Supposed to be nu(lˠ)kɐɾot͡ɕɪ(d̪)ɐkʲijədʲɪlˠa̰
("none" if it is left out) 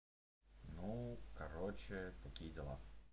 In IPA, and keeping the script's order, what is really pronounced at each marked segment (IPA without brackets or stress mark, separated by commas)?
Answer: none, t̪